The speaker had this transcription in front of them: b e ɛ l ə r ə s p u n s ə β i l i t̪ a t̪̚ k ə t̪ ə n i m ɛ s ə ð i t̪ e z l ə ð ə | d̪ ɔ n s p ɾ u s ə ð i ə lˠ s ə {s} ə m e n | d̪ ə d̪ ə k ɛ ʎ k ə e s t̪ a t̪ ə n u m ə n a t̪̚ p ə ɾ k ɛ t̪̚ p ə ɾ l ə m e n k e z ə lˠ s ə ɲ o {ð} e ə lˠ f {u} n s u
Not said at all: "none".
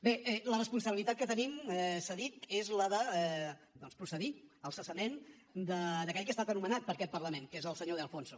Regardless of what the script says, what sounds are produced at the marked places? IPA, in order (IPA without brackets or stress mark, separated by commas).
s, ð, o